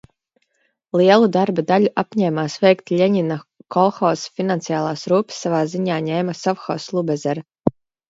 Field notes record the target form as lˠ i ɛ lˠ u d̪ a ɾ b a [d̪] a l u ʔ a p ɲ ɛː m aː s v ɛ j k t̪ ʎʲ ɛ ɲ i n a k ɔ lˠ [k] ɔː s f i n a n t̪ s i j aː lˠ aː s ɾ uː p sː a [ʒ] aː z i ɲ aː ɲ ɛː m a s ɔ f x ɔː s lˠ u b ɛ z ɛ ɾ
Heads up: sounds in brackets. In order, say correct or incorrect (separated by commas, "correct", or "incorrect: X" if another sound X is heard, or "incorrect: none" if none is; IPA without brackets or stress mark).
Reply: correct, incorrect: x, incorrect: v